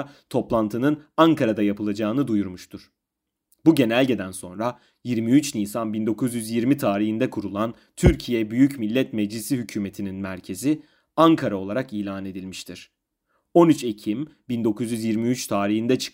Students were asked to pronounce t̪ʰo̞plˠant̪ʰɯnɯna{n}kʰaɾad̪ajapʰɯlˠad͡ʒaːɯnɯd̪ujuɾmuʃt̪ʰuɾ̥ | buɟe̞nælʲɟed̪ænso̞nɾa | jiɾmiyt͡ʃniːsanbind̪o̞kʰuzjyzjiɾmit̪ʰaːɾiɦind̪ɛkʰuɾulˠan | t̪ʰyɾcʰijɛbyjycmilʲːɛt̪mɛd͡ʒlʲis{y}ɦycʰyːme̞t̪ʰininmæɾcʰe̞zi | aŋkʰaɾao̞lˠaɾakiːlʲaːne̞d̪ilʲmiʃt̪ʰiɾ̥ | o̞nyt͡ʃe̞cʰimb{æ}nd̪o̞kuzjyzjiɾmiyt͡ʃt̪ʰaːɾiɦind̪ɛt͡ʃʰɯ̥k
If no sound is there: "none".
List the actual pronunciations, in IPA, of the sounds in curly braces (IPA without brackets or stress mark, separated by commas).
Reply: ŋ, i, i